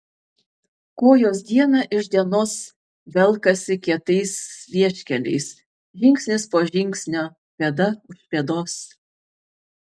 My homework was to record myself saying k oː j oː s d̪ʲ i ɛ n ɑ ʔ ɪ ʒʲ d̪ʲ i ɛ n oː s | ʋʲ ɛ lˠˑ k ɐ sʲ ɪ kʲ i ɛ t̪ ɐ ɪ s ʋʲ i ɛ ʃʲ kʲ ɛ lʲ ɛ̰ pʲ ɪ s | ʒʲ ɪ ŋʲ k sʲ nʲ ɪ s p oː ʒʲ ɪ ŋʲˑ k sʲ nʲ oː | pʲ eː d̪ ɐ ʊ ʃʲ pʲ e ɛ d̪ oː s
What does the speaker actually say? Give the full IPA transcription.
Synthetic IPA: k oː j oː s d̪ʲ i ɛ n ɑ ʔ ɪ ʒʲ d̪ʲ i ɛ n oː s | ʋʲ ɛ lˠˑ k ɐ sʲ ɪ kʲ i ɛ t̪ ɐ ɪ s ʋʲ i ɛ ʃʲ kʲ ɛ lʲ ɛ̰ ɪ s | ʒʲ ɪ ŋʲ k sʲ nʲ ɪ s p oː ʒʲ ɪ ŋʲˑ k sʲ nʲ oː | pʲ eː d̪ ɐ ʊ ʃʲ pʲ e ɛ d̪ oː s